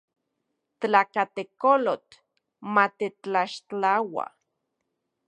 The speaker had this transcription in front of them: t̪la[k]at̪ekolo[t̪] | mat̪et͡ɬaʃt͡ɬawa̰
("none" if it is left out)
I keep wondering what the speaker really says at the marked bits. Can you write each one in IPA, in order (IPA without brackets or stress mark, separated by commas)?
k, t̪